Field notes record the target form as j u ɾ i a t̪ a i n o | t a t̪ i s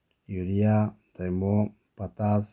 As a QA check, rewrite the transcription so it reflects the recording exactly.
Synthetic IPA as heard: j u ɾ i a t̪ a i m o | p a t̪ a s